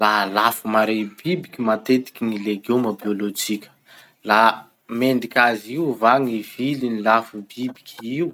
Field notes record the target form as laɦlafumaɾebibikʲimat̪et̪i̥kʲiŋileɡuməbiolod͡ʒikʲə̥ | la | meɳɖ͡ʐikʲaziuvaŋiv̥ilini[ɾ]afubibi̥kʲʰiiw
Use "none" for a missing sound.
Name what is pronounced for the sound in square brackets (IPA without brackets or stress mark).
l